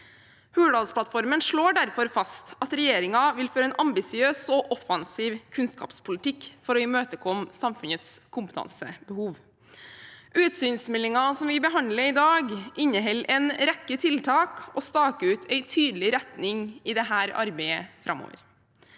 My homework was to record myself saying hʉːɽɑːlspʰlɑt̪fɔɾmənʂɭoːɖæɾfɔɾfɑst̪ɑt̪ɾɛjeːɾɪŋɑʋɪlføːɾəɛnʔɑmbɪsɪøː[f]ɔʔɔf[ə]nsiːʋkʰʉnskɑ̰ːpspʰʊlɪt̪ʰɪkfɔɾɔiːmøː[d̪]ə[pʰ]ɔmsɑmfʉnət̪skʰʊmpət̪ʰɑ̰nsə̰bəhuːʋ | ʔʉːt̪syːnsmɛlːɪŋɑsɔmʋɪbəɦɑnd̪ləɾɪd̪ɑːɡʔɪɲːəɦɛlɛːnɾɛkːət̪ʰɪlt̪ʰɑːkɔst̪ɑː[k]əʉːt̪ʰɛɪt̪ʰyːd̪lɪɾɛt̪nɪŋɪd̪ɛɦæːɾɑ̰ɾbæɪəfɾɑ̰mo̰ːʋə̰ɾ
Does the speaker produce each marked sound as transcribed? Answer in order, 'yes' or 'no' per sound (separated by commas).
no, no, no, no, yes